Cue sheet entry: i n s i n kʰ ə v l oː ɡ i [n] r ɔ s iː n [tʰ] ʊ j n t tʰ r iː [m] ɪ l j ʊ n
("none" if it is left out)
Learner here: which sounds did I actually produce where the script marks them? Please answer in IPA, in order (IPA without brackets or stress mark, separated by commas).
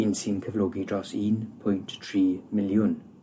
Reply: d, pʰ, m